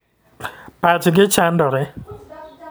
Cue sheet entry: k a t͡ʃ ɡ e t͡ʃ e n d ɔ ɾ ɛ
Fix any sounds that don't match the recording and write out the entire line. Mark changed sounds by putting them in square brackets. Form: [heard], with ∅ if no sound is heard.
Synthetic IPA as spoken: [p] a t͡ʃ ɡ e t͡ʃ [a] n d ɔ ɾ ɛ